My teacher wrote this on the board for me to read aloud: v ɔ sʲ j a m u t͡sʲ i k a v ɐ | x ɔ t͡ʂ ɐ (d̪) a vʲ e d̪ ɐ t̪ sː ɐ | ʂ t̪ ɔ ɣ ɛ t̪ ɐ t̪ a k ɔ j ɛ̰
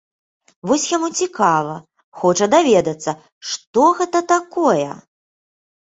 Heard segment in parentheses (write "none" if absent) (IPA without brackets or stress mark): d̪